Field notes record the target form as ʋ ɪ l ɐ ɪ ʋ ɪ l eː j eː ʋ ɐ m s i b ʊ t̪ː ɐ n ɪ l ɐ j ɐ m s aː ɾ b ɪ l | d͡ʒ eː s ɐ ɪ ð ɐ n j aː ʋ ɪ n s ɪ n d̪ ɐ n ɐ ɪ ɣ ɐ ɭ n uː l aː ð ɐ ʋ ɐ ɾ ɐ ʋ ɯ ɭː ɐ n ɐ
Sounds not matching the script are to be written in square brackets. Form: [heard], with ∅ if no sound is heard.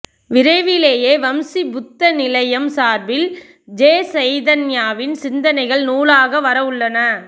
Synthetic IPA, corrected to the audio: ʋ ɪ [ɾ] ɐ ɪ ʋ ɪ l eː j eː ʋ ɐ m s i b ʊ t̪ː ɐ n ɪ l ɐ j ɐ m s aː ɾ b ɪ l | d͡ʒ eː s ɐ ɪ ð ɐ n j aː ʋ ɪ n s ɪ n d̪ ɐ n ɐ ɪ ɣ ɐ ɭ n uː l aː [ɣ] ɐ ʋ ɐ ɾ ɐ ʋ ɯ ɭː ɐ n ɐ